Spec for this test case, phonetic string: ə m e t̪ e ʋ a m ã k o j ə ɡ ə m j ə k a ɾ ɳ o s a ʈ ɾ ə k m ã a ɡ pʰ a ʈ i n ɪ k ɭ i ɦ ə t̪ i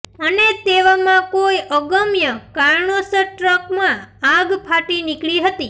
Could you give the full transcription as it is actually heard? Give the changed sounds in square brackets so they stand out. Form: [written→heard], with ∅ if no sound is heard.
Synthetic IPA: ə [m→n] e t̪ e ʋ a m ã k o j ə ɡ ə m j ə k a ɾ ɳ o s [a→ə] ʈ ɾ ə k m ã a ɡ pʰ a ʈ i n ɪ k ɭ i ɦ ə t̪ i